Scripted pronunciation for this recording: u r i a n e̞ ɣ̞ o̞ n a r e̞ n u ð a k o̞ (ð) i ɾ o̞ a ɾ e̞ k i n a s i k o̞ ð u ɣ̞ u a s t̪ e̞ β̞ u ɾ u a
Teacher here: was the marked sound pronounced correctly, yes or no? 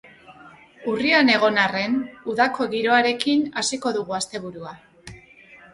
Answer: no